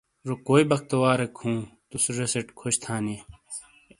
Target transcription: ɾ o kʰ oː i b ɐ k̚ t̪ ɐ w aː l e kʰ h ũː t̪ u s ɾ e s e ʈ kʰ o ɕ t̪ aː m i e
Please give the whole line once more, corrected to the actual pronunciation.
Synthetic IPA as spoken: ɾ o k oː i b ɐ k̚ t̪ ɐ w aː ɾ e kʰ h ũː t̪ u s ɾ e s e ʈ kʰ o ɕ t̪ʰ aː n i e